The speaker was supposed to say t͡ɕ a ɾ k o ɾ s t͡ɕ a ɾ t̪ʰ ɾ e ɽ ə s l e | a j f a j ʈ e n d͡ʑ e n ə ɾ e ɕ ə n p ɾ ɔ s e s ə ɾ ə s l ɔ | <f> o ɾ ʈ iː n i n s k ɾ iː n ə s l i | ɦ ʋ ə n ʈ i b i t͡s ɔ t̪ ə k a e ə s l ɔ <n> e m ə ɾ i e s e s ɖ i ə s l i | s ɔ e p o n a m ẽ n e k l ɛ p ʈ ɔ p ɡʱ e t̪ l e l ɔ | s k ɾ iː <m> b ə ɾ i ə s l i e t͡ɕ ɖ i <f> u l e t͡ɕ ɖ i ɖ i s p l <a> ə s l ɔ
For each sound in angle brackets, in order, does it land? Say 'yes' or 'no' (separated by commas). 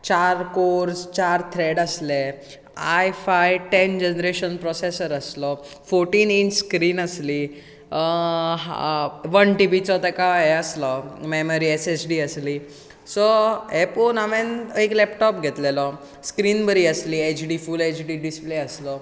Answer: yes, no, no, yes, no